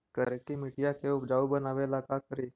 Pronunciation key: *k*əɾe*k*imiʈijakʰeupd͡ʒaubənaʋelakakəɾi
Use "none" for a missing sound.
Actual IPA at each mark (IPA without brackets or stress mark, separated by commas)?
k, k